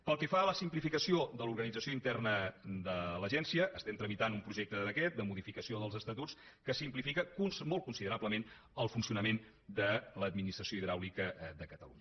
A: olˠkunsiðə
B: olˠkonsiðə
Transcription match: A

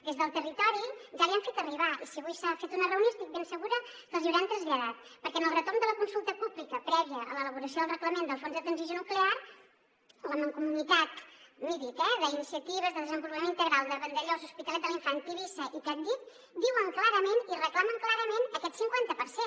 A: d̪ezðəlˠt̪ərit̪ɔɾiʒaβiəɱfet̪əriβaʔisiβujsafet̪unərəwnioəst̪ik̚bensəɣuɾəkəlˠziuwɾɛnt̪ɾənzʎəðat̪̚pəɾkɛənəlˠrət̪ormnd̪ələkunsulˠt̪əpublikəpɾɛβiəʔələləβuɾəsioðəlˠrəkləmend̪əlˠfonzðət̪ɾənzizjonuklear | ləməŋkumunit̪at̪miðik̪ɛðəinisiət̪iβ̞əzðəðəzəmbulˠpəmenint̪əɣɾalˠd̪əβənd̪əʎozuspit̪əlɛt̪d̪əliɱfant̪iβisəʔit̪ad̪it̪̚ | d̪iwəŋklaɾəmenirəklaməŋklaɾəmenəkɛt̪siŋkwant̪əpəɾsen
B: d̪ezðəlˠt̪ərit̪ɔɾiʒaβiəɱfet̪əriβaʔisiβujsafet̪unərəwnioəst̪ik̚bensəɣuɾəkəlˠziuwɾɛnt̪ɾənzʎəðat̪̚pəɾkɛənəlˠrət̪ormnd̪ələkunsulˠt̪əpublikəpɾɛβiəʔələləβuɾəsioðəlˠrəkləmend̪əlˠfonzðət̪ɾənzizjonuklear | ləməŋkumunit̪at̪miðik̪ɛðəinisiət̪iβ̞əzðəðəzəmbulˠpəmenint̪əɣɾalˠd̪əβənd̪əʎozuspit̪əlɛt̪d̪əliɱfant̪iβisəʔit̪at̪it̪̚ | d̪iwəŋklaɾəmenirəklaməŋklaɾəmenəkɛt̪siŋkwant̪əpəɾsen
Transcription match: A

